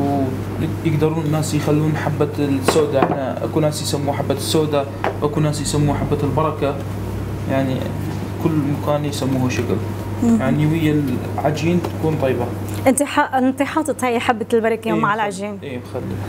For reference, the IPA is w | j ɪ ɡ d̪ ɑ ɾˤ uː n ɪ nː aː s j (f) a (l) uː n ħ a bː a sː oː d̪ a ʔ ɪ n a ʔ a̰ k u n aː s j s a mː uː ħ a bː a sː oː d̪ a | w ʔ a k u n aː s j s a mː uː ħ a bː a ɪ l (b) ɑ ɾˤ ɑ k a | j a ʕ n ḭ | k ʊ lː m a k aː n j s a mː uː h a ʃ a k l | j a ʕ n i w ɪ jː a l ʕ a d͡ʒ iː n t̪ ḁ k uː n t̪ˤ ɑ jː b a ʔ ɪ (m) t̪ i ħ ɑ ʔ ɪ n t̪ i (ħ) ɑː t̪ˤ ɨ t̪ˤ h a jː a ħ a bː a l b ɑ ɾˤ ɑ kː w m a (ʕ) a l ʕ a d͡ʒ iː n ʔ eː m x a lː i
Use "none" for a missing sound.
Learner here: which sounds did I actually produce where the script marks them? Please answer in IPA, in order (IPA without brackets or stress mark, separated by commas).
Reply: x, lː, b, n, ħ, ʕ